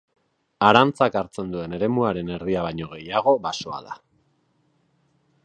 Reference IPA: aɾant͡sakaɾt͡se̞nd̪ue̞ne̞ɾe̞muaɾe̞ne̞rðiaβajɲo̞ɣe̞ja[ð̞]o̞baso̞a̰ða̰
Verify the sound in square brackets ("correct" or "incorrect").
incorrect